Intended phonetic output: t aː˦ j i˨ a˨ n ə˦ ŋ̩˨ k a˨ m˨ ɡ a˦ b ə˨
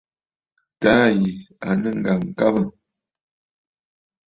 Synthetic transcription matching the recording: t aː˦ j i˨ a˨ n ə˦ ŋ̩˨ ɡ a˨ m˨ k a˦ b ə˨

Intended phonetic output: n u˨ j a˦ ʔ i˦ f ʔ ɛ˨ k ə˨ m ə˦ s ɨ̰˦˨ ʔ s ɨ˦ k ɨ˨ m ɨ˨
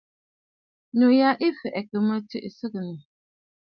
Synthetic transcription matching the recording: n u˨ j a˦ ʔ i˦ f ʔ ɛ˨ k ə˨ m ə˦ t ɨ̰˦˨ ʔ s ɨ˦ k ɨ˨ n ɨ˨

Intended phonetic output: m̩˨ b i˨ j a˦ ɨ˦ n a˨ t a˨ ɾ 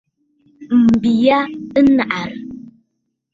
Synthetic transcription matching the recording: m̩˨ b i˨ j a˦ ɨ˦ n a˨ ʔ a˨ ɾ

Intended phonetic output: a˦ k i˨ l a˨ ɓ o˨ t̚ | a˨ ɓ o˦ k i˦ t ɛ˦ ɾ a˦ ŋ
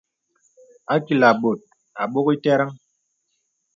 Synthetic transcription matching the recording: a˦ k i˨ l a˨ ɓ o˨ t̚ | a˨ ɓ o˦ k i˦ t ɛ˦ ɾ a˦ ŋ

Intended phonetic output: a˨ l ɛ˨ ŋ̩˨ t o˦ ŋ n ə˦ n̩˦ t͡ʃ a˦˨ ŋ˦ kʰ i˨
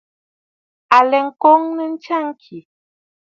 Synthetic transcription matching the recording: a˨ l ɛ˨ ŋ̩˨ k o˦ ŋ n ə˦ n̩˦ t͡ʃ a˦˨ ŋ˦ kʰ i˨

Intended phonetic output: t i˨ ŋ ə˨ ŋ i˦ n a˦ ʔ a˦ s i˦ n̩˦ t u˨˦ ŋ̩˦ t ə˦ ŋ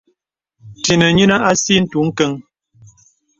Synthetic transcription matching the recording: t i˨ n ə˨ ɲ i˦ n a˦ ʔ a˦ s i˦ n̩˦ t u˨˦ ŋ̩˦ k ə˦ ŋ

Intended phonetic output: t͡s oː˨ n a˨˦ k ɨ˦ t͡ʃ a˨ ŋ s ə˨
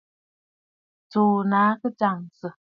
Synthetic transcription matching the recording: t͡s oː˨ n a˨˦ k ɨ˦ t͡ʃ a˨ ŋ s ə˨

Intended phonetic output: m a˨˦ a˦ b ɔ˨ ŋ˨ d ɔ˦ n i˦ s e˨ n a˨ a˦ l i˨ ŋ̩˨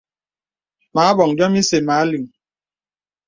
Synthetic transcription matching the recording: m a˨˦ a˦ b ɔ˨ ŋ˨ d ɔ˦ m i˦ s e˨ m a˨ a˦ l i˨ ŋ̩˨

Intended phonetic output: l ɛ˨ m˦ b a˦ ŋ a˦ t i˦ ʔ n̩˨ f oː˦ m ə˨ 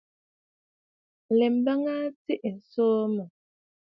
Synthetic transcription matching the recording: l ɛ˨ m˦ b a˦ ŋ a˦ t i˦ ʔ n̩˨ s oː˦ m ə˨

